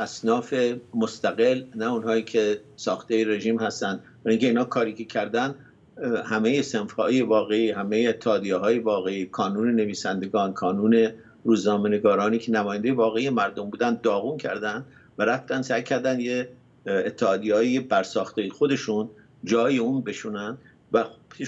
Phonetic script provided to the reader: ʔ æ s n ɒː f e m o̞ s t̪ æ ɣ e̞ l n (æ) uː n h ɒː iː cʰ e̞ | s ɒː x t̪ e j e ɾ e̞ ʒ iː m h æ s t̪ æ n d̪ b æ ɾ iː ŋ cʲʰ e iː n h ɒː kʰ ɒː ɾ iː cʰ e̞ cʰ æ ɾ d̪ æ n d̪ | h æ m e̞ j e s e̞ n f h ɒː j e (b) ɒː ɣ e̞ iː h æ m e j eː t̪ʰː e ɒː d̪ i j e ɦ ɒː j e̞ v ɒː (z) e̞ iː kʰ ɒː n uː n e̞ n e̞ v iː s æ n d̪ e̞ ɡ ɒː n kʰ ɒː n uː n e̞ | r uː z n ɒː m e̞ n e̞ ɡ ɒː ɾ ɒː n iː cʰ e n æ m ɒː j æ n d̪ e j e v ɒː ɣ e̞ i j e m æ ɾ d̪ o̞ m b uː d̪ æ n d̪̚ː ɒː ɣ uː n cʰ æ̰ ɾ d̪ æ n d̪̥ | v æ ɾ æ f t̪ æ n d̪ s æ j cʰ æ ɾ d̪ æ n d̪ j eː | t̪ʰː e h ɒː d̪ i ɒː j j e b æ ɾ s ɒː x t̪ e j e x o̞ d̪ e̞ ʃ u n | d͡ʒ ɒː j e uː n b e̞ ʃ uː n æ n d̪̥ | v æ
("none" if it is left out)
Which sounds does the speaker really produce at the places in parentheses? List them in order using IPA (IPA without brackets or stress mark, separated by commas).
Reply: æ, v, ɣ